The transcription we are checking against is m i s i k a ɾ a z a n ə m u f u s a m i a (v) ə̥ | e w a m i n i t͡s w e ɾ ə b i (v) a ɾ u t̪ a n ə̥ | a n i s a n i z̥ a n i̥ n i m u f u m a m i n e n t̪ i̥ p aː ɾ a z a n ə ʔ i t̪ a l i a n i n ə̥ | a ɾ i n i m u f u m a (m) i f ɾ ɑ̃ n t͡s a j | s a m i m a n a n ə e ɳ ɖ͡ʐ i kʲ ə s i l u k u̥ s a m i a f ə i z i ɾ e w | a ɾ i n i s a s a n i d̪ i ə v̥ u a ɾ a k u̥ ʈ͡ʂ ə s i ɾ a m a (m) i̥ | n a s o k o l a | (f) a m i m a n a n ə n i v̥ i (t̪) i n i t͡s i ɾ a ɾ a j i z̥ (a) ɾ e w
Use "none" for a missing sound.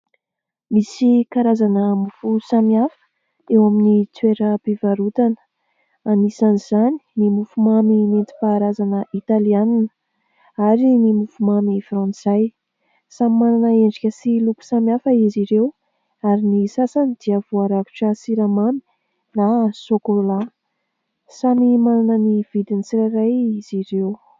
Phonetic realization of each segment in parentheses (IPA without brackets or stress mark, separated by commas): f, v, m, m, s, d̪, i